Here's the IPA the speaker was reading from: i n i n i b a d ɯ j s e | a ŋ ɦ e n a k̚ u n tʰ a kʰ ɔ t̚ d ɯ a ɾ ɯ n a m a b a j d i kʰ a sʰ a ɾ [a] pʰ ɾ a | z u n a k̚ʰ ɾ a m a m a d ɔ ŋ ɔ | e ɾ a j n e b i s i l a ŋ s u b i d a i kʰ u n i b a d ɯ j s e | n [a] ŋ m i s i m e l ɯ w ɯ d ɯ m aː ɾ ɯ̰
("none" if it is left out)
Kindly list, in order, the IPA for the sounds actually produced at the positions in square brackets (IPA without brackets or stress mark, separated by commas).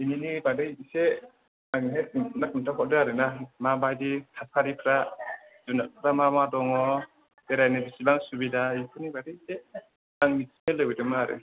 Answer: i, a